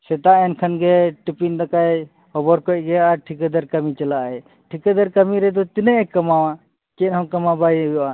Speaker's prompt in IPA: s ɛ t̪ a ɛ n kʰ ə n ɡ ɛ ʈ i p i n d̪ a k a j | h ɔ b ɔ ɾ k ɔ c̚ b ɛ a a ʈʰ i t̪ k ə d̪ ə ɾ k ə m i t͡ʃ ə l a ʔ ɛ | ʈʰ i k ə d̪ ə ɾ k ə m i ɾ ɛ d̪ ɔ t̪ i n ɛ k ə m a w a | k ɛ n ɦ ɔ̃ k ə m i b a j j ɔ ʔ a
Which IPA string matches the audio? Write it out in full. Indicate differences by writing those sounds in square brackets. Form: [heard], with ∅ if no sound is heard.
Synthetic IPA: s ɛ t̪ a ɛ n kʰ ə n ɡ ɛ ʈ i p i n d̪ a k a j | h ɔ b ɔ ɾ k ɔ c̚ [ɡ] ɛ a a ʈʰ i [∅] k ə d̪ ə ɾ k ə m i t͡ʃ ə l a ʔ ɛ | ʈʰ i k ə d̪ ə ɾ k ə m i ɾ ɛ d̪ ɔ t̪ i n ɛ k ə m a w a | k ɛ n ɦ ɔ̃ k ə m [a] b a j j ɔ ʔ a